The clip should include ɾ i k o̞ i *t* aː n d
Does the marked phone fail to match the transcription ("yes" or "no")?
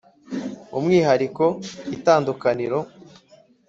no